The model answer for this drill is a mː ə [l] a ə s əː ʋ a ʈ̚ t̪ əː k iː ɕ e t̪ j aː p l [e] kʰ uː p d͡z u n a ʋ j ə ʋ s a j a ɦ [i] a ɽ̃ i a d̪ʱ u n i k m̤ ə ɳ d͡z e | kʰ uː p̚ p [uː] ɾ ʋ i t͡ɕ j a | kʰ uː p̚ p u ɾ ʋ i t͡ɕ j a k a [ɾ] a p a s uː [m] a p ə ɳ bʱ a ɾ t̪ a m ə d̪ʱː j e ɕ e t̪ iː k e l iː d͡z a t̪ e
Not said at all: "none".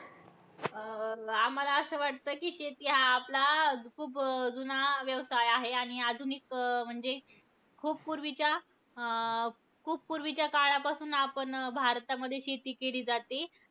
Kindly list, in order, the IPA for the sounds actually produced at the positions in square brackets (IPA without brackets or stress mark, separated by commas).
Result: l, a, e, u, ɭ, n